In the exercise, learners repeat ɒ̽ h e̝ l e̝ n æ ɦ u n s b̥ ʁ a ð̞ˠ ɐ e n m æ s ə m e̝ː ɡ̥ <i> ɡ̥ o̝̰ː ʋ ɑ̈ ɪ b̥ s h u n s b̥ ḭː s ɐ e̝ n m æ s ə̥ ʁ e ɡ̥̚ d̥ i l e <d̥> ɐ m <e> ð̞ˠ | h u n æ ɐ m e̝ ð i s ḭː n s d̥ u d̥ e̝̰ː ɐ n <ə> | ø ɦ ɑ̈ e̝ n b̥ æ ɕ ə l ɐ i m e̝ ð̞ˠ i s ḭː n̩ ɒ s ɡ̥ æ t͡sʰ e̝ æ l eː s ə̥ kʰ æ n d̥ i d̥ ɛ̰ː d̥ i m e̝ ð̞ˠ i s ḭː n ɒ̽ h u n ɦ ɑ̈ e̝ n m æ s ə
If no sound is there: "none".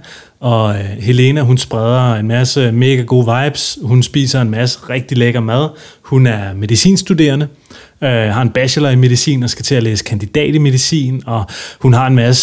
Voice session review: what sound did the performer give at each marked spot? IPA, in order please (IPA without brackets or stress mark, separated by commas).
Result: æ, ɡ̥, æ, ə